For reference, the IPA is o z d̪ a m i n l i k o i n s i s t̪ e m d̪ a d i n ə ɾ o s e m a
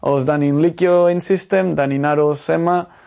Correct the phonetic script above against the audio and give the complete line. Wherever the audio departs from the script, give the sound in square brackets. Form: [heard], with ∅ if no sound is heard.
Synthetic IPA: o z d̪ a [n] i n l i k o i n s i s t̪ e m d̪ a [n] i n [a] ɾ o s e m a